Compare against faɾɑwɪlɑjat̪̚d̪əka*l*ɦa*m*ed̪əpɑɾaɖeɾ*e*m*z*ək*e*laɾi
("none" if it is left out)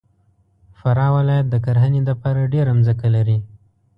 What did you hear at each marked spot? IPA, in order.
ɾ, n, a, z, a

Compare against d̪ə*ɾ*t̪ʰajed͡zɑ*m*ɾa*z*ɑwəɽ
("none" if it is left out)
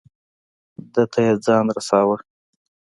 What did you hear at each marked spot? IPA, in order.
none, n, s

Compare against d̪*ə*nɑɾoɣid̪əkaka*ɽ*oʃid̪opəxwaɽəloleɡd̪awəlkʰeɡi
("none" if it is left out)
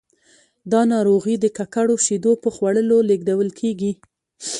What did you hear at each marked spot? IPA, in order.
ɑ, ɽ

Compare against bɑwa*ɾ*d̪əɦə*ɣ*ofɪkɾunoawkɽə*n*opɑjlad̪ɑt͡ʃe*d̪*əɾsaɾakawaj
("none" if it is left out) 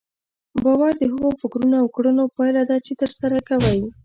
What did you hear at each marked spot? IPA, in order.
ɾ, ɣ, n, t̪

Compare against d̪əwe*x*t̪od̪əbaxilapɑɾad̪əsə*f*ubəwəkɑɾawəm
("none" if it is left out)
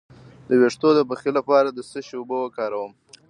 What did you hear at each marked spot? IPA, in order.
ʂ, ʃ

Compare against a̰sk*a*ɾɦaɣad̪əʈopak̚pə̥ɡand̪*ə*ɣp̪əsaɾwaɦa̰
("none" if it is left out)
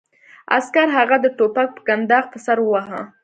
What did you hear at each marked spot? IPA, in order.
a, ɑ

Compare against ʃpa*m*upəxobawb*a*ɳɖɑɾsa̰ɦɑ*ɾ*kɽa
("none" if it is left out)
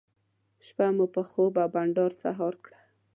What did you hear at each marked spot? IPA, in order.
m, a, ɾ

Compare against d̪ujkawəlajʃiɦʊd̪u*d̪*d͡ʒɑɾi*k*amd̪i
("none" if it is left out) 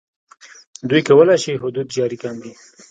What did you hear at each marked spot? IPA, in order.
d̪, k

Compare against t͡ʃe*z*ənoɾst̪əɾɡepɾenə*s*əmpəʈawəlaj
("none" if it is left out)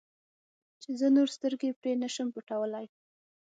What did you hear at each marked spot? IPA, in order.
z, ʃ

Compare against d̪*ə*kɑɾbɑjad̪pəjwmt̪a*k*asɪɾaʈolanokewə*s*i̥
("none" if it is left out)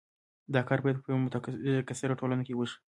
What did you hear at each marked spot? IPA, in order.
ɑ, k, ʃ

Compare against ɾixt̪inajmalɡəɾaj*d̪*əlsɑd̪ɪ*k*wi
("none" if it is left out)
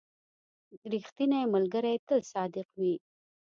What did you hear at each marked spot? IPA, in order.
t̪, q

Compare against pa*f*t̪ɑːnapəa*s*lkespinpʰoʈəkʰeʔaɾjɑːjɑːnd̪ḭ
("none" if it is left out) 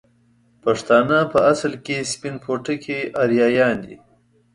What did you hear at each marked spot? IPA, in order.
ʂ, s

